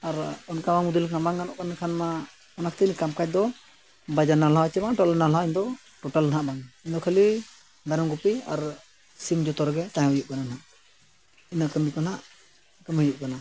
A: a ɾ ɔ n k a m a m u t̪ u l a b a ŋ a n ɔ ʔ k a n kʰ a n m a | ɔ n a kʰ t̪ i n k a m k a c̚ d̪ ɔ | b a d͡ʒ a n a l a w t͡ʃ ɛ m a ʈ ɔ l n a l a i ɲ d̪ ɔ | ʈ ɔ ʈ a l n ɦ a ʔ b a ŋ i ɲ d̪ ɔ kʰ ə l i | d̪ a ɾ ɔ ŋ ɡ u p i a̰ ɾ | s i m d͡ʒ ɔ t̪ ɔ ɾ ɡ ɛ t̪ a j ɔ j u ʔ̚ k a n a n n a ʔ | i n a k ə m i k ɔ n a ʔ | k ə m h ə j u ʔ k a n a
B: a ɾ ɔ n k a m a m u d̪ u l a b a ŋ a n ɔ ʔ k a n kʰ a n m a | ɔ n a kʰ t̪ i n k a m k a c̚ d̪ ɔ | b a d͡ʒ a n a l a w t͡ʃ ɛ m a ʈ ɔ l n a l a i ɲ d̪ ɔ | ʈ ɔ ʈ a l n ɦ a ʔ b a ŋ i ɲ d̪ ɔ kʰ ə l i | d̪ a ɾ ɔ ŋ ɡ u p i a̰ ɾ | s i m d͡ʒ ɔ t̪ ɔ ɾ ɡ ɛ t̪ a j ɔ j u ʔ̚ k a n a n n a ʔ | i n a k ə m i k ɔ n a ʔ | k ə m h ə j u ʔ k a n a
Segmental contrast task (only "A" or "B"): B